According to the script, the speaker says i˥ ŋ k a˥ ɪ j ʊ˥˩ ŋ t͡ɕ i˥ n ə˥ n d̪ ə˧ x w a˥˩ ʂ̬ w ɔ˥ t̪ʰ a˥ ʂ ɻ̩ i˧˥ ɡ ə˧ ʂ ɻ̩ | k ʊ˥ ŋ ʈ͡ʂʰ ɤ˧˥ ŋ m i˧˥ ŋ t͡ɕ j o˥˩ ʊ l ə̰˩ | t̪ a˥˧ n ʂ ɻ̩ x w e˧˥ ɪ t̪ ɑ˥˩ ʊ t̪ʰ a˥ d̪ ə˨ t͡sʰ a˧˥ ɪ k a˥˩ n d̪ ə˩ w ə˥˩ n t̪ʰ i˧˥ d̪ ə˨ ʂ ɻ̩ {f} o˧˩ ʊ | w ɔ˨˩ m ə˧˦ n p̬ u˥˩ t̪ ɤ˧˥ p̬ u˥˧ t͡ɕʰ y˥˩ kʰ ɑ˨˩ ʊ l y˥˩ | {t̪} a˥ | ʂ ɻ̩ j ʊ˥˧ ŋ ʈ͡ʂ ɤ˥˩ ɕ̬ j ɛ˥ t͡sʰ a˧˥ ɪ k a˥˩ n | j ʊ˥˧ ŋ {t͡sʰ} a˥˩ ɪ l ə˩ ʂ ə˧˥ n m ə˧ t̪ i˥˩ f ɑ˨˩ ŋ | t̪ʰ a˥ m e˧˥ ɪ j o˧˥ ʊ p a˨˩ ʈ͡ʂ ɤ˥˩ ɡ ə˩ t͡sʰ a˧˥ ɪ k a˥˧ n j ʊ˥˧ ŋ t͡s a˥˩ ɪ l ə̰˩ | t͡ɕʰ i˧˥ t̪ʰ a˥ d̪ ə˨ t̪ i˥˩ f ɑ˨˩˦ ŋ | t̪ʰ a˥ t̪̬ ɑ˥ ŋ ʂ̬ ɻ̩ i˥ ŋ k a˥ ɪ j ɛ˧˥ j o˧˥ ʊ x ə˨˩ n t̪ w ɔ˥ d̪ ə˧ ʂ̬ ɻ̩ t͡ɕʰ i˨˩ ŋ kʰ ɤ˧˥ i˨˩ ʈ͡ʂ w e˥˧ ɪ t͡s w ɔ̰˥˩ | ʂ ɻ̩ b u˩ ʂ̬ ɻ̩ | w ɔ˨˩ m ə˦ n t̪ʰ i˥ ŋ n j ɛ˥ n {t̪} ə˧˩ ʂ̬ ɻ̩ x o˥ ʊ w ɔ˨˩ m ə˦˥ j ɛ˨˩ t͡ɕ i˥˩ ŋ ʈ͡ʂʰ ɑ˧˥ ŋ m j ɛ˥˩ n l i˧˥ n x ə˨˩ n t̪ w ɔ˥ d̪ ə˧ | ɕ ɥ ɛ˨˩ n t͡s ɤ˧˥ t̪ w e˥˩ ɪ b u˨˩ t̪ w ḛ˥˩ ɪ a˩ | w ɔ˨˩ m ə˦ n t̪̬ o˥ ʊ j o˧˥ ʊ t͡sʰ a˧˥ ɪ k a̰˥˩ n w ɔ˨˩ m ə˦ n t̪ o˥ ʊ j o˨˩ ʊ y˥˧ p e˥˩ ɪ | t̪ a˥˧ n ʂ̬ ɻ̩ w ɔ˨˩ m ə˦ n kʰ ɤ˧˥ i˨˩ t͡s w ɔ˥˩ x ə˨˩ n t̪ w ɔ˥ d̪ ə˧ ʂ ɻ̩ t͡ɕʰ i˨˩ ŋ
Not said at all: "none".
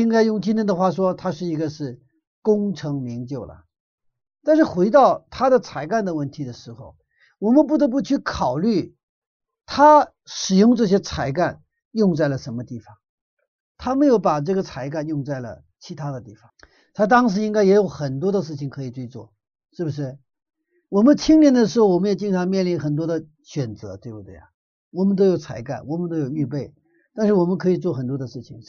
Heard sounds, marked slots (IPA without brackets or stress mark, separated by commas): x, t̪ʰ, t͡s, d̪